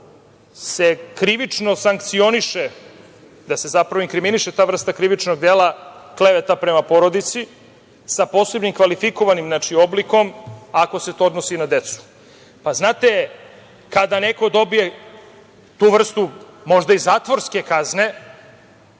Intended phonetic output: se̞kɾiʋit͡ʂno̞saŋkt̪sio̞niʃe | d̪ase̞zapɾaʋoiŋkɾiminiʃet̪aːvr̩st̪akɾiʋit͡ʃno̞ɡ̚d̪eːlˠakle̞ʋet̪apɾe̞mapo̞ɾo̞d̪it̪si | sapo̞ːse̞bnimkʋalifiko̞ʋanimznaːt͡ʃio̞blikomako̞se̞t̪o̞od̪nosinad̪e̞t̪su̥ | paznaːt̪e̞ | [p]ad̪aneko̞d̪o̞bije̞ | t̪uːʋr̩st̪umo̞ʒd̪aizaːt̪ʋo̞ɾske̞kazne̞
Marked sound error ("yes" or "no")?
yes